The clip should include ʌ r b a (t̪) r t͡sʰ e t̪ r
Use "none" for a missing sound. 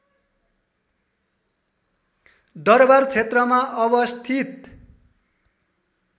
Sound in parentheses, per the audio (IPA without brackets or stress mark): none